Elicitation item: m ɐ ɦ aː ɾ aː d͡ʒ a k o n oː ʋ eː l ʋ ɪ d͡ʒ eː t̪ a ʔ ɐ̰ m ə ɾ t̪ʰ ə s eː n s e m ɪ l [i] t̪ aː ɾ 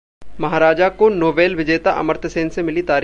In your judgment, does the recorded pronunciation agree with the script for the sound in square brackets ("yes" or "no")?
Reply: yes